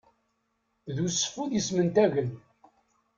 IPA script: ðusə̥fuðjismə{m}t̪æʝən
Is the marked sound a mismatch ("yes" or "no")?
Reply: yes